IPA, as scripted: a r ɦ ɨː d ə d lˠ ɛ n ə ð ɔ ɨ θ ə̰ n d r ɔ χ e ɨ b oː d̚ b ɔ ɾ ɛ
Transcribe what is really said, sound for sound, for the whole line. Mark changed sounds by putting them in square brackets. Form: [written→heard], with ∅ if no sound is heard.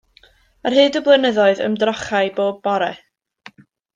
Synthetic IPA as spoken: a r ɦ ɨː d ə [d→b] lˠ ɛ n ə ð ɔ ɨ [θ→ð] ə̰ [n→m] d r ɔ χ [e→a] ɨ b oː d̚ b ɔ ɾ ɛ